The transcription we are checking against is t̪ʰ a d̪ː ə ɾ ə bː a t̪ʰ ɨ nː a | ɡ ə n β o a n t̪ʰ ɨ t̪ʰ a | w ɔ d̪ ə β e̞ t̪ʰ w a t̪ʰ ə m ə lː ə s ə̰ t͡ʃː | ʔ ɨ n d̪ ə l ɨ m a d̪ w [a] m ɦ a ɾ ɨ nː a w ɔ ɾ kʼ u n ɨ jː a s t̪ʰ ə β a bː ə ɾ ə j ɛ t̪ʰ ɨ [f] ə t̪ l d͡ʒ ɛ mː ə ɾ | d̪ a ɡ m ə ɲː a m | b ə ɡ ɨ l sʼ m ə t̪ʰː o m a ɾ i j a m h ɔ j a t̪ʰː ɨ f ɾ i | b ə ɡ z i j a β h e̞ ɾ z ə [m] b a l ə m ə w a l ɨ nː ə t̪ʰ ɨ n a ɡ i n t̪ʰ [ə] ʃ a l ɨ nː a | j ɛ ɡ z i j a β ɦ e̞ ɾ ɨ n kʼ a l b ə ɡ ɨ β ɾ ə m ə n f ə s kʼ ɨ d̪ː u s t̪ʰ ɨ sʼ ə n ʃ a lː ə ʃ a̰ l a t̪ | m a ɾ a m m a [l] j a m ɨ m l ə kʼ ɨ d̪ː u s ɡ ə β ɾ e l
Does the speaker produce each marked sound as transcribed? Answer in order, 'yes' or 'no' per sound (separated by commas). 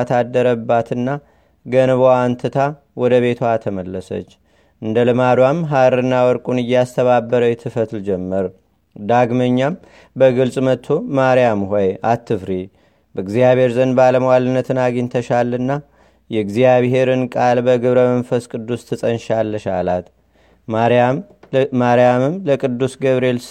yes, yes, no, yes, no